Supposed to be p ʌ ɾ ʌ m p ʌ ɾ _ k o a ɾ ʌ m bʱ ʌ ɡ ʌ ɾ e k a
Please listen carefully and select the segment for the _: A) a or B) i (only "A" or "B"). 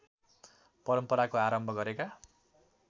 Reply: A